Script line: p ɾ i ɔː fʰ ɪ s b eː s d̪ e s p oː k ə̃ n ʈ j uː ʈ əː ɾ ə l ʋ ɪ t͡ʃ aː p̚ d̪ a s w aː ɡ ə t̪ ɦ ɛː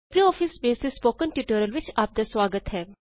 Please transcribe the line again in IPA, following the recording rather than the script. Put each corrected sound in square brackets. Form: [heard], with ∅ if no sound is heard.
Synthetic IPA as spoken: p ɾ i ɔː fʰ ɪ s b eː s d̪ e s p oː k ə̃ n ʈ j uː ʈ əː ɾ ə l ʋ ɪ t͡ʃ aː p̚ d̪ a s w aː ɡ ə t̪ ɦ ɛː